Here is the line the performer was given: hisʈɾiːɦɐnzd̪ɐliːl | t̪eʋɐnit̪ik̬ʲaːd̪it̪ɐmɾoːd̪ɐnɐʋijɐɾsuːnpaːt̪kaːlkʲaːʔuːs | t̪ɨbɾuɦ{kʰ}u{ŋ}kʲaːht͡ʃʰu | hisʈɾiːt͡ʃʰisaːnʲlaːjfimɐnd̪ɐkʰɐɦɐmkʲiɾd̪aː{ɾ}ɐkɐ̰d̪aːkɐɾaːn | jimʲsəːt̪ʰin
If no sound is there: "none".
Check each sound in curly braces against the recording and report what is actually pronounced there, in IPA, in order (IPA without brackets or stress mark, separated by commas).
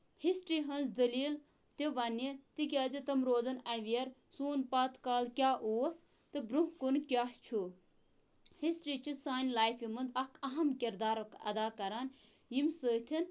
k, n, ɾ